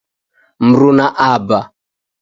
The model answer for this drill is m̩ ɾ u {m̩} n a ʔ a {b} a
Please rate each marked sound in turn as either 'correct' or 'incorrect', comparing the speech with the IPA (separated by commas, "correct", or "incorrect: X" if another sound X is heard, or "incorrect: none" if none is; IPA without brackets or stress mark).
incorrect: none, correct